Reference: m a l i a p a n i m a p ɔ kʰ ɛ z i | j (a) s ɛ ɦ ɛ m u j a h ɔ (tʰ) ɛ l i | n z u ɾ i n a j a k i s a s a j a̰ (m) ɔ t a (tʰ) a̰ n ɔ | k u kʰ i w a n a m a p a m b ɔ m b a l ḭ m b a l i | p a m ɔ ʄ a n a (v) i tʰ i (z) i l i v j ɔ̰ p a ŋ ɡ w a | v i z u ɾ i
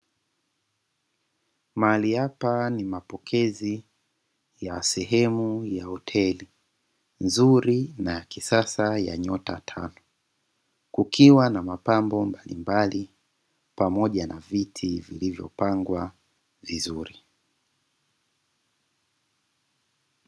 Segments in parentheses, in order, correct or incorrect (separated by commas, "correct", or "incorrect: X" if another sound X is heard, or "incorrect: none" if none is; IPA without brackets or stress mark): correct, correct, incorrect: ɲ, correct, correct, incorrect: v